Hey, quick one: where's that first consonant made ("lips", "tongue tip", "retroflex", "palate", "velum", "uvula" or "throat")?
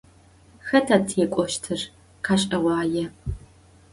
velum